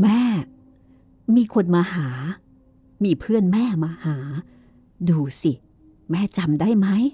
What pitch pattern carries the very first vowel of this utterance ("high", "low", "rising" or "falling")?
falling